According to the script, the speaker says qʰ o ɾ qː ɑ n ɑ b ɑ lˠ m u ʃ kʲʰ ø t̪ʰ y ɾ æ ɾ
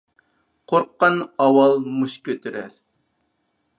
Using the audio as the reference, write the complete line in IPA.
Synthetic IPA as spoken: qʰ o ɾ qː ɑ n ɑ w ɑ lˠ m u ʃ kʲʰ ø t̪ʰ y ɾ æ ɾ